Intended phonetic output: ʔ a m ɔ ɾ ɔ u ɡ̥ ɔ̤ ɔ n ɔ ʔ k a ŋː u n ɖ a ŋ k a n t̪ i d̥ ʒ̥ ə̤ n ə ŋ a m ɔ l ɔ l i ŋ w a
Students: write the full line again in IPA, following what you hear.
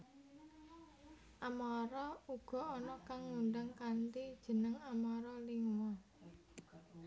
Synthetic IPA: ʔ a m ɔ ɾ ɔ u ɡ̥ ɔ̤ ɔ n ɔ k a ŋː u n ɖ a ŋ k a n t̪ i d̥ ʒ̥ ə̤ n ə ŋ a m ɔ ɾ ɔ l i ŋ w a